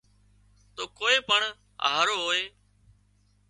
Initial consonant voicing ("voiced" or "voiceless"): voiceless